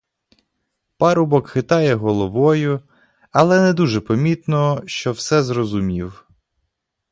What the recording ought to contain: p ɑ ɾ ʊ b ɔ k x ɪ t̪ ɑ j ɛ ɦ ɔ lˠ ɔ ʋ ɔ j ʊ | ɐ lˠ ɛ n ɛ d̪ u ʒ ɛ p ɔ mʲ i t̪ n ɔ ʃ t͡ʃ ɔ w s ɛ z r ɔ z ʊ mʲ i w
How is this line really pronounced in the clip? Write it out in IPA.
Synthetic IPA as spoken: p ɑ ɾ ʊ b ɔ k x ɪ t̪ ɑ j ɛ ɦ ɔ lˠ ɔ ʋ ɔ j ʊ | ɐ lˠ ɛ n ɛ d̪ u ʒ ɛ p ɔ mʲ i t̪ n ɔ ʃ t͡ʃ ɔ w s ɛ z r ɔ z ʊ mʲ i w